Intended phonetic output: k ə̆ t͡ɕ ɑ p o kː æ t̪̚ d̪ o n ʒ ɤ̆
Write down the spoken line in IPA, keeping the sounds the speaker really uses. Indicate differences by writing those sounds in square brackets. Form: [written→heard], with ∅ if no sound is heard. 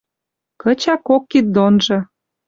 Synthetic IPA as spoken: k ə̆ t͡ɕ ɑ [p→k] o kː [æ→i] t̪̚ d̪ o n ʒ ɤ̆